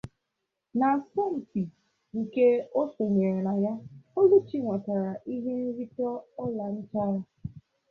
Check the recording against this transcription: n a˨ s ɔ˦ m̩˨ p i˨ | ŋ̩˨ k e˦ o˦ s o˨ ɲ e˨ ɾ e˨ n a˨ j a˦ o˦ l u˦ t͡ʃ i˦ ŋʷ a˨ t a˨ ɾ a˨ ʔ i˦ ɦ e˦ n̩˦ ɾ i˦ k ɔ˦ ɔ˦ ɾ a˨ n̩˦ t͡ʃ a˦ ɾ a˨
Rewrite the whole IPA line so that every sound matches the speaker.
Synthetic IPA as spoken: n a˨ s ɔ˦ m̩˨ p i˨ | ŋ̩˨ k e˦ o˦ s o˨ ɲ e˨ ɾ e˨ n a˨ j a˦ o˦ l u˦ t͡ʃ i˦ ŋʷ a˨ t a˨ ɾ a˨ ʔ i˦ ɦ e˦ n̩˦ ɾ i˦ t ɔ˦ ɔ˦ l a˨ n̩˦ t͡ʃ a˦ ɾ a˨